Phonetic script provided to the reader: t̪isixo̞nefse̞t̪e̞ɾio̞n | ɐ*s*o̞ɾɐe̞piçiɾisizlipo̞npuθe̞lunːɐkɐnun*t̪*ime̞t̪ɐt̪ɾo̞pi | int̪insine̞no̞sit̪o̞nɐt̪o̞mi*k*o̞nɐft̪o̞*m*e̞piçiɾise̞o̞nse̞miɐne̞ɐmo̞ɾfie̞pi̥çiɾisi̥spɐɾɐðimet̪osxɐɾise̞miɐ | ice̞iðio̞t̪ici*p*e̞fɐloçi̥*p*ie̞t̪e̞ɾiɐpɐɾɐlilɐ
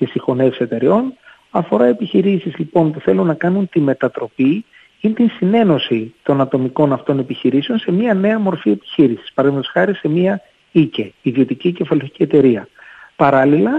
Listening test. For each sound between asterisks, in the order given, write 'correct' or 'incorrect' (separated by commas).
incorrect, correct, correct, incorrect, incorrect, incorrect